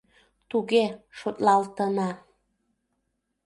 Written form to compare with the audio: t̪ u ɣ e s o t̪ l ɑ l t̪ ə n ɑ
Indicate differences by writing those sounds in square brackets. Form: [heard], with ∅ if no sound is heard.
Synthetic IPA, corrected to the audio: t̪ u ɣ e [ʃ] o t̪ l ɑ l t̪ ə n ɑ